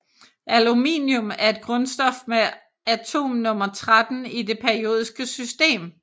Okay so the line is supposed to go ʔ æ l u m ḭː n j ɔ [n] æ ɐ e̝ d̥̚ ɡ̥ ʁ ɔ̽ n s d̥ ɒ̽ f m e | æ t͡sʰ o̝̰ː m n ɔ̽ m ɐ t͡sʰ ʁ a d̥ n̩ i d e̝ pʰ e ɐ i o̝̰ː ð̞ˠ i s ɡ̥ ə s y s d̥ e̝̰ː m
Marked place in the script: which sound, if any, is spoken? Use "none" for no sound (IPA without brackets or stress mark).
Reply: m